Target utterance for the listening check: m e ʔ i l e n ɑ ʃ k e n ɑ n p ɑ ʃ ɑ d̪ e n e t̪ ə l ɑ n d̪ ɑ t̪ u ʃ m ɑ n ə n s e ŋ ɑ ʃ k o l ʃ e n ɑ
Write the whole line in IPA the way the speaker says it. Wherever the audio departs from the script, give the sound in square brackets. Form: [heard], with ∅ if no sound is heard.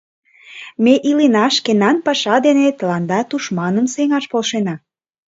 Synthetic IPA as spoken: m e ʔ i l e n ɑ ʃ k e n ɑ n p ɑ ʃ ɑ d̪ e n e t̪ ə l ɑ n d̪ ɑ t̪ u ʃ m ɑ n ə [m] s e ŋ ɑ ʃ [p] o l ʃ e n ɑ